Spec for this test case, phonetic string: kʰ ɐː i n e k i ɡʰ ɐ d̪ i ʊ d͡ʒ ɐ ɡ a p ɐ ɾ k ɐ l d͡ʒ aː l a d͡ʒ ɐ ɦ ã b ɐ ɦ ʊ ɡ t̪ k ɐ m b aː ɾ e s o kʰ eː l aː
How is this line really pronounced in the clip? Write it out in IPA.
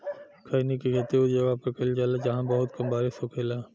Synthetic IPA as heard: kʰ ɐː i n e k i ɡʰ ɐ t̪ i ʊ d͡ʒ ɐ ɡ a p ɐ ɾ k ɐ l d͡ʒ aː l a d͡ʒ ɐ ɦ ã b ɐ ɦ ʊ t̪ k ɐ m b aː ɾ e s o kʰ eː l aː